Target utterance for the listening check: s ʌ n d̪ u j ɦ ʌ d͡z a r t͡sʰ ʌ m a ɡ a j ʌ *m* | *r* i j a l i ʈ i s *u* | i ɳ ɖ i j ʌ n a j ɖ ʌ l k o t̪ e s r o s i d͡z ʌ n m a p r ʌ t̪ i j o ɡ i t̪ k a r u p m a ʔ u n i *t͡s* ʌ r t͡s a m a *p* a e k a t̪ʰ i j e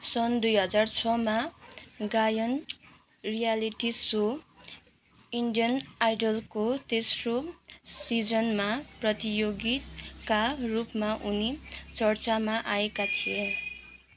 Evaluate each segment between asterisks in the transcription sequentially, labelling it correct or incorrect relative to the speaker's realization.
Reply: incorrect: n, correct, incorrect: o, correct, incorrect: ʔ

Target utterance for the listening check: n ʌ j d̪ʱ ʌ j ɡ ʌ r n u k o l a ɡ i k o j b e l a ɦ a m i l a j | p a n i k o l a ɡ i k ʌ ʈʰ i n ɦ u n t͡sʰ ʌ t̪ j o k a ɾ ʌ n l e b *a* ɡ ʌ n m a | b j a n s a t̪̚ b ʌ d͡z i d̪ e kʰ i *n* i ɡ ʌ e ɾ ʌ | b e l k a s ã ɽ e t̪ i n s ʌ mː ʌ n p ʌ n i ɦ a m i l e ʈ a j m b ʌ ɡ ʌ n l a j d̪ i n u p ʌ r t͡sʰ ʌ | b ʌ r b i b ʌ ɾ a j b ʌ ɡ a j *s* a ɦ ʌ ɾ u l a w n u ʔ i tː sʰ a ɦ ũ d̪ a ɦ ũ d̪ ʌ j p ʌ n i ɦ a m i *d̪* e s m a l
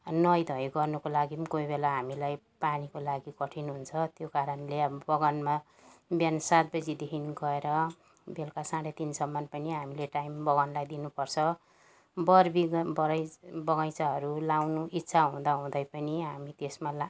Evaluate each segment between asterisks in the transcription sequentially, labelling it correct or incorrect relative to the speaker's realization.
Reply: incorrect: ʌ, correct, incorrect: t͡s, incorrect: t̪

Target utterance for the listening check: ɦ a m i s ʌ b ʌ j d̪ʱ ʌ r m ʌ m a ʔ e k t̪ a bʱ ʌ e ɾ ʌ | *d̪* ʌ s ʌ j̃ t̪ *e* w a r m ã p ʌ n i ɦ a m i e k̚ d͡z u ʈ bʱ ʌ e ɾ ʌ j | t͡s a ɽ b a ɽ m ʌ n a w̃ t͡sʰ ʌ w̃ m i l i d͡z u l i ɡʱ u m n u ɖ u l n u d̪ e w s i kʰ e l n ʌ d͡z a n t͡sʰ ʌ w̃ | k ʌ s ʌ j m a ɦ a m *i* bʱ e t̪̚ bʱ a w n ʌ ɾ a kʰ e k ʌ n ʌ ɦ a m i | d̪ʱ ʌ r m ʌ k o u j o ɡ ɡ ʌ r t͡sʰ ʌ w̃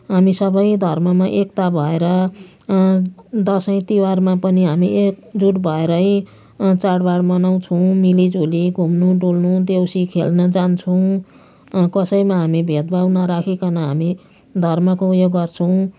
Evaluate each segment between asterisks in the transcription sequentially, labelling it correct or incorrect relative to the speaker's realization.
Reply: correct, incorrect: i, correct

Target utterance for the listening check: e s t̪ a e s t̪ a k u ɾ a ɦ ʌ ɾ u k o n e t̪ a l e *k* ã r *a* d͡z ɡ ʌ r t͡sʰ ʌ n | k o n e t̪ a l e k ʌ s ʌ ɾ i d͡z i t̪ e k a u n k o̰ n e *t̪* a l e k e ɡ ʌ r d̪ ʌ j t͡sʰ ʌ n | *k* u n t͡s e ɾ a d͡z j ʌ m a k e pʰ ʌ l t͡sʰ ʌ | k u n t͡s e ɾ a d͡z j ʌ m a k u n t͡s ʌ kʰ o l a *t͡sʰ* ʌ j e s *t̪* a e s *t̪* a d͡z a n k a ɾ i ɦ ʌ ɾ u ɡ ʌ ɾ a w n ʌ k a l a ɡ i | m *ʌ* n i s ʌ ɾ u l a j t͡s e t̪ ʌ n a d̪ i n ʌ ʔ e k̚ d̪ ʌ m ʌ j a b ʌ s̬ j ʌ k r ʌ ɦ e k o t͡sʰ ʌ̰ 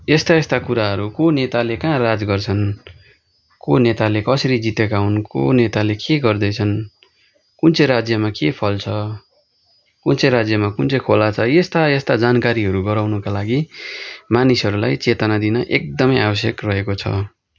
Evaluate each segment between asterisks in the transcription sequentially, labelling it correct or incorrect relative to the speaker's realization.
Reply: correct, correct, correct, correct, correct, correct, correct, incorrect: a

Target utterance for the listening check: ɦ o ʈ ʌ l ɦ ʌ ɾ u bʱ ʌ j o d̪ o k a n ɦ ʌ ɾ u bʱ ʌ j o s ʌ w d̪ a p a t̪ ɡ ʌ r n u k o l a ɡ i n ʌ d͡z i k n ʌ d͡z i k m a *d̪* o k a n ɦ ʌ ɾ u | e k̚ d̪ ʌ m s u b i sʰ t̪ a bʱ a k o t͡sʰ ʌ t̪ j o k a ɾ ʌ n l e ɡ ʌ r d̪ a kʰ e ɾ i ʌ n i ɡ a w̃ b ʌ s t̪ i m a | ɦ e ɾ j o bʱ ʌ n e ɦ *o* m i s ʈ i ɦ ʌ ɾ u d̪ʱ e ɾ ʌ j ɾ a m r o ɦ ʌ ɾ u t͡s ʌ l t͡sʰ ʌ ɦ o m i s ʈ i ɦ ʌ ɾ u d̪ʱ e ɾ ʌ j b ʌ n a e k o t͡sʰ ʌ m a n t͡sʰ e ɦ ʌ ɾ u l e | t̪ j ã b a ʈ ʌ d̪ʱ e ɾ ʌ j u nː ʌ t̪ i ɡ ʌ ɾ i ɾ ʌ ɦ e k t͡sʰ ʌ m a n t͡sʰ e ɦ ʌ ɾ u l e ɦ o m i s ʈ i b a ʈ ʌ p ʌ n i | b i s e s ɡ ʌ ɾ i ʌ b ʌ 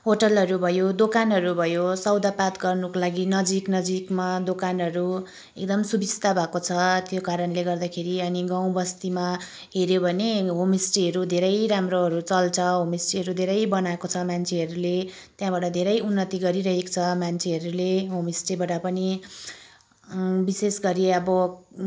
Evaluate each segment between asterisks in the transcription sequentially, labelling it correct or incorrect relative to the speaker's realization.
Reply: correct, correct

